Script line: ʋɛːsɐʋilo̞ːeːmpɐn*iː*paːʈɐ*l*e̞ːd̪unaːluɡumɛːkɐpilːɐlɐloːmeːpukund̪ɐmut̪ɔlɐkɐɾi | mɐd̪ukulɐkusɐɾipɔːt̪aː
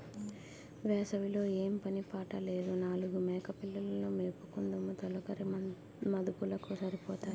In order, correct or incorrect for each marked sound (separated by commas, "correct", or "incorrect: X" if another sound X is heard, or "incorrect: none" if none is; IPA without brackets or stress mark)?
incorrect: i, correct